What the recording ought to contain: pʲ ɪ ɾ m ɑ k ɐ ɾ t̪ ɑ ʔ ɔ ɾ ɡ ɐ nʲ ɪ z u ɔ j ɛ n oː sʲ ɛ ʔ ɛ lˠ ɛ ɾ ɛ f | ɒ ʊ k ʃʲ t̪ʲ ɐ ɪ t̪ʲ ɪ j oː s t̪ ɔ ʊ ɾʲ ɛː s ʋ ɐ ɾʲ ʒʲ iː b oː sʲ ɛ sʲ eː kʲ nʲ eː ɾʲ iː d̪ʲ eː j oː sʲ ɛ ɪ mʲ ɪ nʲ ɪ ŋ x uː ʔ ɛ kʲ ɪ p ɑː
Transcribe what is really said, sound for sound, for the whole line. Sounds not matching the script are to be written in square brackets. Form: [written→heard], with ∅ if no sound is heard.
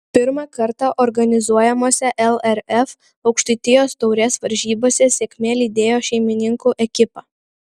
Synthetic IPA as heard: pʲ ɪ ɾ m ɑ k ɐ ɾ t̪ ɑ ʔ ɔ ɾ ɡ ɐ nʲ ɪ z u ɔ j ɛ [n→m] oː sʲ ɛ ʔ ɛ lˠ ɛ ɾ ɛ f | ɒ ʊ k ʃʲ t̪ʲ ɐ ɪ t̪ʲ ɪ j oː s t̪ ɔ ʊ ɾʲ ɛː s ʋ ɐ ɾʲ ʒʲ iː b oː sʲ ɛ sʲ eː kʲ [nʲ→mʲ] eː [ɾʲ→lʲ] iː d̪ʲ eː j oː [sʲ→ʃʲ] ɛ ɪ mʲ ɪ nʲ ɪ ŋ [x→k] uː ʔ ɛ kʲ ɪ p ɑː